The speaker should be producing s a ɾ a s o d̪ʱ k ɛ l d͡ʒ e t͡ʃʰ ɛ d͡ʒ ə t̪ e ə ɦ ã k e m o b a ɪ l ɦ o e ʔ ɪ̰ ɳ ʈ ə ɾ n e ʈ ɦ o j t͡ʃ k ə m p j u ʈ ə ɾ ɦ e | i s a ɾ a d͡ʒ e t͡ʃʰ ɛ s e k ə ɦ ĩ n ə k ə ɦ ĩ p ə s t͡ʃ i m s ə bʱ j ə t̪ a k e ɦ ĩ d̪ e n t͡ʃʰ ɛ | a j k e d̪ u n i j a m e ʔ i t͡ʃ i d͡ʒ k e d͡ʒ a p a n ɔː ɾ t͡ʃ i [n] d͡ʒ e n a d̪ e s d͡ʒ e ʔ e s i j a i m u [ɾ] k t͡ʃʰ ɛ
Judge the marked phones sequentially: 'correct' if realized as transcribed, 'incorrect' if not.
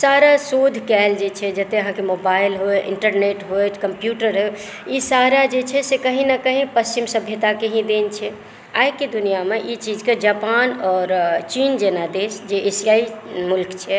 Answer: correct, incorrect: l

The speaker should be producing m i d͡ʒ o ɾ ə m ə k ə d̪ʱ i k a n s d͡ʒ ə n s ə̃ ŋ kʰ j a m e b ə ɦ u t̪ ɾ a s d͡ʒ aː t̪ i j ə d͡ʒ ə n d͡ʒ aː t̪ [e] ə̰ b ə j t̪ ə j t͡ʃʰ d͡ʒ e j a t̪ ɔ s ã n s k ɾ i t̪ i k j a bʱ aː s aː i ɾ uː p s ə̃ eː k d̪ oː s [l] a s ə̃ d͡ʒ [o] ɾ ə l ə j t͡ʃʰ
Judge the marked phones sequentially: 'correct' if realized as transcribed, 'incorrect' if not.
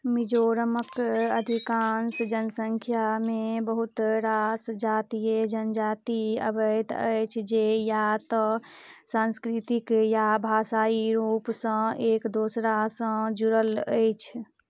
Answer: incorrect: i, incorrect: ɾ, incorrect: u

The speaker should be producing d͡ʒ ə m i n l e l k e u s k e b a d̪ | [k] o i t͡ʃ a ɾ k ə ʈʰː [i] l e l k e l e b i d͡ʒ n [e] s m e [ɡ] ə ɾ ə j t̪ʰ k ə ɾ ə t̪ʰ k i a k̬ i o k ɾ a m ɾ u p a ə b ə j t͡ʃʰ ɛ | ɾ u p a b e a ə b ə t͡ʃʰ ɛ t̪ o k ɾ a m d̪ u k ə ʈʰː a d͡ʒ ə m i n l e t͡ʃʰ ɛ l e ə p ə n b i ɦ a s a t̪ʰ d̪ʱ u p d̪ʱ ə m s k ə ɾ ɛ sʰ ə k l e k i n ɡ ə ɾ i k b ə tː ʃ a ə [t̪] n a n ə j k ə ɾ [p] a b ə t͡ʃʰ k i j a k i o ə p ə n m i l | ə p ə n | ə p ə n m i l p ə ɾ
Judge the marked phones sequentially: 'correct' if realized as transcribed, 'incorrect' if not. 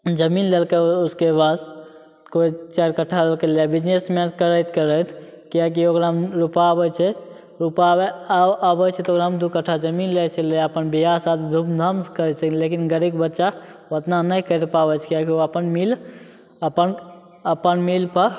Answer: correct, incorrect: a, correct, incorrect: k, correct, correct

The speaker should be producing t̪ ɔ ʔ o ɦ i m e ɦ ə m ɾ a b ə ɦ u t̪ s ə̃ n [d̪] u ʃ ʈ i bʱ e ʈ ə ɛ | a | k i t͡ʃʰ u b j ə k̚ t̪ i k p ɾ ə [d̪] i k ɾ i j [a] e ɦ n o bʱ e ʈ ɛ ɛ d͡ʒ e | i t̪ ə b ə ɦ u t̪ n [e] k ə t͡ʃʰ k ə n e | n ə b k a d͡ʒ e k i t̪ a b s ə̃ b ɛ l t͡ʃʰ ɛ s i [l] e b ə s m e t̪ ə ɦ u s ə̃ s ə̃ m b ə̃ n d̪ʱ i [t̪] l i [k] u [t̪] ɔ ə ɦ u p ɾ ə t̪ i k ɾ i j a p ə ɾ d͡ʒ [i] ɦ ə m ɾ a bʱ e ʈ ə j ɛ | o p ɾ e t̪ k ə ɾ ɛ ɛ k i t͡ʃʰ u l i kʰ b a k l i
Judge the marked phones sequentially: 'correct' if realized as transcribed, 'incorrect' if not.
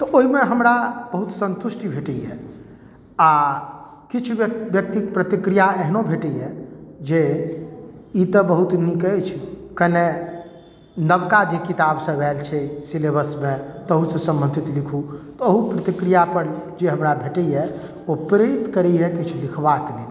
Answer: incorrect: t̪, incorrect: t̪, correct, incorrect: i, correct, correct, incorrect: kʰ, correct, incorrect: e

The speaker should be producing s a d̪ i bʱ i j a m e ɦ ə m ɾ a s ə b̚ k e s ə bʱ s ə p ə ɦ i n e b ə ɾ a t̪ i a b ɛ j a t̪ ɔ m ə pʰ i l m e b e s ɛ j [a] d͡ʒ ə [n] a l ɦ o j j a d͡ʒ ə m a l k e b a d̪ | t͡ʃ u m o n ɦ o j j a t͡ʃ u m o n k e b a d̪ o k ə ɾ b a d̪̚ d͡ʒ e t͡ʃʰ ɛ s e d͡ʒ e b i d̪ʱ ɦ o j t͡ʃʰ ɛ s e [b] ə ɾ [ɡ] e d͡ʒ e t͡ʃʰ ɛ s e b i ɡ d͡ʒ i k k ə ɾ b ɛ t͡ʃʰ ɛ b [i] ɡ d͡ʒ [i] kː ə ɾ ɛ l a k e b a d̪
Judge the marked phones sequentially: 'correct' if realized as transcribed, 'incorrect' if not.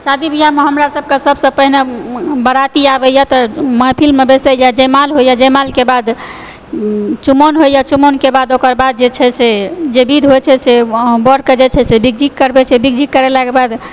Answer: correct, incorrect: m, correct, incorrect: k, correct, correct

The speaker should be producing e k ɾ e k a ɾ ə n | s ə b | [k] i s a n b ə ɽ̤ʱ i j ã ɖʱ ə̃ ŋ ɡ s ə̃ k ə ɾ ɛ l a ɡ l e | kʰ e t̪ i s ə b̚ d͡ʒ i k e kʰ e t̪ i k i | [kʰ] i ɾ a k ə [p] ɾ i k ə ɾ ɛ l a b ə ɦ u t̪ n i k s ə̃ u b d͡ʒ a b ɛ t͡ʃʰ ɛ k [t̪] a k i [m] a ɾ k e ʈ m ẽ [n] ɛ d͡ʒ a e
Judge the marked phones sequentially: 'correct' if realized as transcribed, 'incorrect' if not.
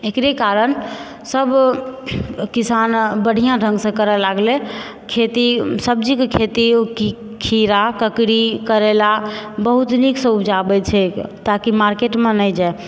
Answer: correct, correct, incorrect: k, correct, correct, correct

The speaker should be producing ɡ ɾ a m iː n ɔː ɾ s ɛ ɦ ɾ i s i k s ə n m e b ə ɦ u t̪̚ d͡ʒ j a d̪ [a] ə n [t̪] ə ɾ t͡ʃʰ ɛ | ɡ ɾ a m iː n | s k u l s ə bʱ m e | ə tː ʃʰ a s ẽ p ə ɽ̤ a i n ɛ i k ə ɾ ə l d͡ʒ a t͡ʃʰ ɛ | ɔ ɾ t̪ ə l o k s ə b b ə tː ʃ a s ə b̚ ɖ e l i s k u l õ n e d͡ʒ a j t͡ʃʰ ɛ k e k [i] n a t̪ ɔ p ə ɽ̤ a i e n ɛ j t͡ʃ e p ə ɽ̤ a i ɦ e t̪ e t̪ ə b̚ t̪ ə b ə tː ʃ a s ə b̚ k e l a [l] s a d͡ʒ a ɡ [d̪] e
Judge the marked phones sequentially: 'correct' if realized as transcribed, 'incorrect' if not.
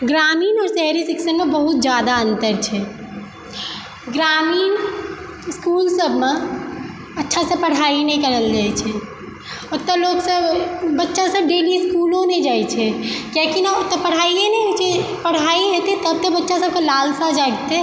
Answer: correct, correct, correct, correct, incorrect: t̪

